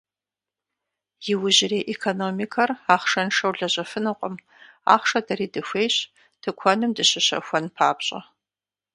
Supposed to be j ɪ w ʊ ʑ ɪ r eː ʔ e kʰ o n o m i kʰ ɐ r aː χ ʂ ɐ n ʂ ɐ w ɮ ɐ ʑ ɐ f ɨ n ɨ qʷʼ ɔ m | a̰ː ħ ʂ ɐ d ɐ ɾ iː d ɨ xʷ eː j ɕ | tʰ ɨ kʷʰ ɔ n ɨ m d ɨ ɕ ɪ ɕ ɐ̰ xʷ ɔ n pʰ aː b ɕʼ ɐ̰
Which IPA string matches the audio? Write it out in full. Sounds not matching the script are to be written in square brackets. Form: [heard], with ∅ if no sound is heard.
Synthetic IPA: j ɪ w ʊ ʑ ɪ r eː ʔ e kʰ o n o m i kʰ ɐ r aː χ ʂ ɐ n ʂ ɐ w ɮ ɐ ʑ ɐ f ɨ n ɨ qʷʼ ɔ m | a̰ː [χ] ʂ ɐ d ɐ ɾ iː d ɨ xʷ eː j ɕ | tʰ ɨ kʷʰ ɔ n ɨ m d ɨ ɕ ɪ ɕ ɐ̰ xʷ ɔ n pʰ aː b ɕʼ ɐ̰